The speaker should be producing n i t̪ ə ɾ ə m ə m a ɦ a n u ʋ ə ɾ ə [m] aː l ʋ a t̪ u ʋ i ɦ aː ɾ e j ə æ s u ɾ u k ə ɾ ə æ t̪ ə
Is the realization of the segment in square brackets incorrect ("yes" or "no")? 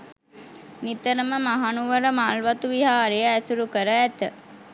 no